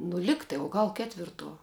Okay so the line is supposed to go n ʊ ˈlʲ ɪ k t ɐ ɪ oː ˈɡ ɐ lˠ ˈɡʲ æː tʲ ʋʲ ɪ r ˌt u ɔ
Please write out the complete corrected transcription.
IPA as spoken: n ʊ ˈlʲ ɪ k t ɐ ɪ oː ˈɡ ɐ lˠ ˈkʲ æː tʲ ʋʲ ɪ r ˌt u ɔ